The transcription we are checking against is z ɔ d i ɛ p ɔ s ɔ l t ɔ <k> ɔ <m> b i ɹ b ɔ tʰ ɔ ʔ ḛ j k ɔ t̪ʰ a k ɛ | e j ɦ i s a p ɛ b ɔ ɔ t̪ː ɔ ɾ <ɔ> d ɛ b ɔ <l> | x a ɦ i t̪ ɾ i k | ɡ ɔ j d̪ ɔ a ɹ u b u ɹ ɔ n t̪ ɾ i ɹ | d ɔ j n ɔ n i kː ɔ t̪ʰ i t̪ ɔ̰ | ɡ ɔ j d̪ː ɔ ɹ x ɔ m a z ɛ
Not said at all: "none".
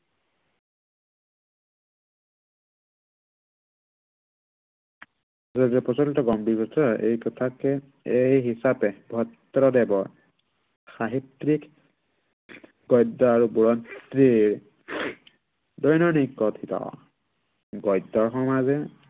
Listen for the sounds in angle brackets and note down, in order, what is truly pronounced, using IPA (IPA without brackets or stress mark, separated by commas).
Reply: ɡ, m, ɔ, ɹ